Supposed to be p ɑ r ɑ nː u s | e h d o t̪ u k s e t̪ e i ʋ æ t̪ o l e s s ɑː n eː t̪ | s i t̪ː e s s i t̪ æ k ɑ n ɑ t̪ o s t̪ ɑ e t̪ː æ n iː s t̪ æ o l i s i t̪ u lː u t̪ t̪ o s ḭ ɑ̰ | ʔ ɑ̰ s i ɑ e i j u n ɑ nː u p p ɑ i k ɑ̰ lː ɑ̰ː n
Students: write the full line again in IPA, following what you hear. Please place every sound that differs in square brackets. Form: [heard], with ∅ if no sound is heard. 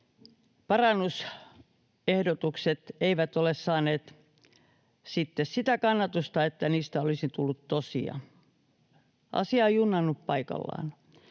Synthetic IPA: p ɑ r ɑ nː u s | e h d o t̪ u k s e t̪ e i ʋ æ t̪ o l e s s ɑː n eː t̪ | s i t̪ː e s s i t̪ æ k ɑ [nː] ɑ t̪ [u] s t̪ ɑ e t̪ː æ n iː s t̪ æ o l i s i t̪ u lː u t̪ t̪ o s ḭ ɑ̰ | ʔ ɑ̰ s i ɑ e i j u [nː] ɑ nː u p p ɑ i k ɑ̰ lː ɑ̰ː n